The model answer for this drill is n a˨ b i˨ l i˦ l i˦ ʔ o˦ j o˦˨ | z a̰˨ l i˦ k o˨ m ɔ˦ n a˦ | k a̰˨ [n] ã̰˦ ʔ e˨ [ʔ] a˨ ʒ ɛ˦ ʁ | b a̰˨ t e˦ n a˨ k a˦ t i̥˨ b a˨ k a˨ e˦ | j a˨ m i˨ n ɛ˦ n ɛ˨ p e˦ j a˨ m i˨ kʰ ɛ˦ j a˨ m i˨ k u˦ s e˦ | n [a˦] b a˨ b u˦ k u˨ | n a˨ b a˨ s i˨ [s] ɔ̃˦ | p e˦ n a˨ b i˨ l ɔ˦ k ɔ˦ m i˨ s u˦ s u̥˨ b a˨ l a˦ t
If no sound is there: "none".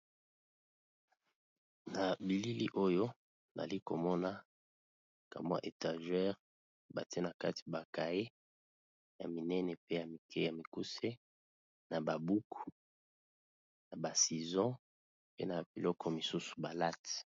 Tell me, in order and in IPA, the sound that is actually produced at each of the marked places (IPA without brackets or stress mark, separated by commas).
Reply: m, t, a˨, z